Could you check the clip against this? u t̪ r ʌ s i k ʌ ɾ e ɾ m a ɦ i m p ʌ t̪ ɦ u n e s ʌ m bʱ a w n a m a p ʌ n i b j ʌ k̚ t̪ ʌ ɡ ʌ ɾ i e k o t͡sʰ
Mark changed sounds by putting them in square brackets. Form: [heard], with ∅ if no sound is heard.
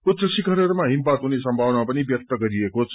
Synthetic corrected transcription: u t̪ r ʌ s i k ʌ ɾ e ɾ m a ɦ i m p [a] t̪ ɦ u n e s ʌ m bʱ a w n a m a p ʌ n i b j ʌ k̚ t̪ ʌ ɡ ʌ ɾ i e k o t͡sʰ

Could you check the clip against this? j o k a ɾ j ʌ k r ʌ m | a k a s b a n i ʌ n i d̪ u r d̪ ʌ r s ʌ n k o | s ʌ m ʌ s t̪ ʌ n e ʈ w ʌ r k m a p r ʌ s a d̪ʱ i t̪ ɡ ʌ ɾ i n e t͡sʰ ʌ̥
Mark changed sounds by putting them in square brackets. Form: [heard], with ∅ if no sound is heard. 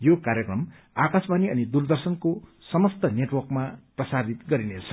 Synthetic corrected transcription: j o k a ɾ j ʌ k r ʌ m | a k a s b a n i ʌ n i d̪ u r d̪ ʌ r s ʌ n k o | s ʌ m ʌ s t̪ ʌ n e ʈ w ʌ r k m a p r ʌ s a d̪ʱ i t̪ ɡ ʌ ɾ i n e t͡sʰ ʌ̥

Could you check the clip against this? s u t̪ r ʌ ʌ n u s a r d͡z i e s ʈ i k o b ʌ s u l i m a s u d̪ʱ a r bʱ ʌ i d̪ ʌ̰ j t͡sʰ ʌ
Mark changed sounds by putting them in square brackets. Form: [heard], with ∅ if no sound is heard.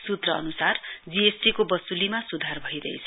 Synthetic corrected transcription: s u t̪ r ʌ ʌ n u s a r d͡z i e s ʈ i k o b ʌ s u l i m a s u d̪ʱ a r bʱ ʌ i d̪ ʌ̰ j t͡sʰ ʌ

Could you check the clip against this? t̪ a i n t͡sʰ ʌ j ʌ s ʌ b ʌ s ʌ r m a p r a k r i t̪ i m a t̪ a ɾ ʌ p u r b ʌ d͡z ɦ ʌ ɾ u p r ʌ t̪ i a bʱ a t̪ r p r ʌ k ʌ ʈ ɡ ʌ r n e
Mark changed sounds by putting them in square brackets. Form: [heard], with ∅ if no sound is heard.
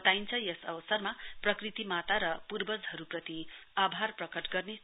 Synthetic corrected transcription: t̪ a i n t͡sʰ ʌ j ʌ s ʌ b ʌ s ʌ r m a p r [ʌ] k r i t̪ i m a t̪ a ɾ ʌ p u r b ʌ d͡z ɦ ʌ ɾ u p r ʌ t̪ i a bʱ a [∅] r p r ʌ k ʌ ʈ ɡ ʌ r n e

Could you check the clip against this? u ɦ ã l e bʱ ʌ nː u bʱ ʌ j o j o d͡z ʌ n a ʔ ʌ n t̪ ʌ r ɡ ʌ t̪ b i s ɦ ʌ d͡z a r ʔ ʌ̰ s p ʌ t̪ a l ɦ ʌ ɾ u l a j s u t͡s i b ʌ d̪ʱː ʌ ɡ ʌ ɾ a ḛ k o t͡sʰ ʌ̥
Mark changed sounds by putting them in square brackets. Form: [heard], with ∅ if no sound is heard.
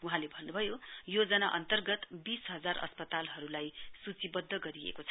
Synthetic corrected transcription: u ɦ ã l e bʱ ʌ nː u bʱ ʌ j o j o d͡z ʌ n a ʔ ʌ n t̪ ʌ r ɡ ʌ t̪ b i s ɦ ʌ d͡z a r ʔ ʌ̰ s p ʌ t̪ a l ɦ ʌ ɾ u l a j s u t͡s i b ʌ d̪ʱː ʌ ɡ ʌ ɾ [i] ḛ k o t͡sʰ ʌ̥

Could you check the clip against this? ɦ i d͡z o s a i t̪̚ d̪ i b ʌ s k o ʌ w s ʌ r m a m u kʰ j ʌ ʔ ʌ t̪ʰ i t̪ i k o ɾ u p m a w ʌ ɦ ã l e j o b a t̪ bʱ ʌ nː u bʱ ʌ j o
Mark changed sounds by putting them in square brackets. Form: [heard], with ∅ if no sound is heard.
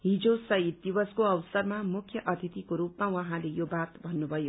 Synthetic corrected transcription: ɦ i d͡z o s [ʌ] i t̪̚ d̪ i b ʌ s k o ʌ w s ʌ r m a m u kʰ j ʌ ʔ ʌ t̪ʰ i t̪ i k o ɾ u p m a w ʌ ɦ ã l e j o b a t̪ bʱ ʌ nː u bʱ ʌ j o

